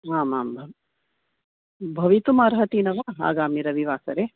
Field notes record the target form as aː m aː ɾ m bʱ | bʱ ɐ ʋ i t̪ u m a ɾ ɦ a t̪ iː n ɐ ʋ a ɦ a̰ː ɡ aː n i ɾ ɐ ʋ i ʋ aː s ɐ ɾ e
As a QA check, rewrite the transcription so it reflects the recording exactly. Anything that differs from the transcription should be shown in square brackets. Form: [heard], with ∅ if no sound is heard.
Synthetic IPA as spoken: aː m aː [∅] m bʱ | bʱ ɐ ʋ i t̪ u m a ɾ ɦ [ɐ] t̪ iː n ɐ ʋ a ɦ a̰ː ɡ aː [m] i ɾ ɐ ʋ i ʋ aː s ɐ ɾ e